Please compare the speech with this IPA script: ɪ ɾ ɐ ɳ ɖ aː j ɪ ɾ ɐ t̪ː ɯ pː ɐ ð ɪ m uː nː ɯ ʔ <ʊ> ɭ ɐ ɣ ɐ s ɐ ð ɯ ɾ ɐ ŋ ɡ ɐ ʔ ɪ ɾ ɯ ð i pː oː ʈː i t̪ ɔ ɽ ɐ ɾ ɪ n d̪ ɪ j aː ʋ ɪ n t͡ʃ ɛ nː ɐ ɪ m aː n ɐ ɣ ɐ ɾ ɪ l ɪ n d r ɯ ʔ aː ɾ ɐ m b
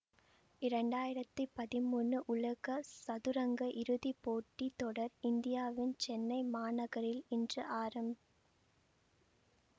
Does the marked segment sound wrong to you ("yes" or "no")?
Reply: no